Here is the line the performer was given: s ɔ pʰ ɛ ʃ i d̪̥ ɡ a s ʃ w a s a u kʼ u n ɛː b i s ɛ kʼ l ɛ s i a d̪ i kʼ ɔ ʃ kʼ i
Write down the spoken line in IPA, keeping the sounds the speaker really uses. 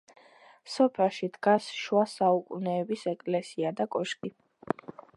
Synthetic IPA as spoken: s ɔ pʰ ɛ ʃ i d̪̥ ɡ a s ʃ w a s a u kʼ u n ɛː b i s ɛ kʼ l ɛ s i a d̪ a kʼ ɔ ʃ kʼ i